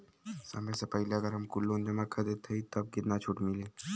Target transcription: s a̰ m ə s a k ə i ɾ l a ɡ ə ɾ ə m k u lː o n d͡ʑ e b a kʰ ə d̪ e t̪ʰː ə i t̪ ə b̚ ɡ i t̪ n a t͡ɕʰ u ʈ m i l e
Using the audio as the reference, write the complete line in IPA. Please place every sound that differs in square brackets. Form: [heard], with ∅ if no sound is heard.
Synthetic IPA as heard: s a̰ m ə s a [p] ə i [∅] l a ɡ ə ɾ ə m k u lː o n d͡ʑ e [m] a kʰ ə d̪ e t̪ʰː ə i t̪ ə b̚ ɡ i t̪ n a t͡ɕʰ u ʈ m i l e